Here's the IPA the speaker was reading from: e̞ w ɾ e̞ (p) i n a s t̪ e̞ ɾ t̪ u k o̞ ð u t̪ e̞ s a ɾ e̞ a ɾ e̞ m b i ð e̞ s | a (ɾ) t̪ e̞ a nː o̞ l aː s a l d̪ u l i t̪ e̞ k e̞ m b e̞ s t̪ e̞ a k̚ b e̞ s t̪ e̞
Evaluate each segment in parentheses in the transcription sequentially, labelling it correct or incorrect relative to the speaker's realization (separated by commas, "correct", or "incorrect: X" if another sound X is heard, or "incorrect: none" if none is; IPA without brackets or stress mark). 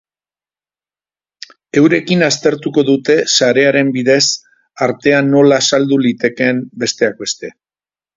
incorrect: k, correct